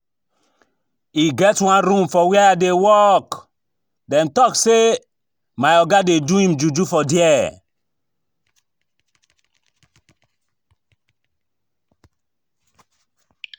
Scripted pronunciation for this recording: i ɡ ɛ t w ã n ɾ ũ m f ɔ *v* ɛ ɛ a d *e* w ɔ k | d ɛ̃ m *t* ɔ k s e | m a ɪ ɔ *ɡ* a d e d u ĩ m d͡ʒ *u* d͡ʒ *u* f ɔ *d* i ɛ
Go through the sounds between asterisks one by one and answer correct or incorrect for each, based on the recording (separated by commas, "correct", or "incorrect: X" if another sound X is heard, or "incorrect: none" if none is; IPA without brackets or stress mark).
incorrect: w, correct, correct, correct, correct, correct, correct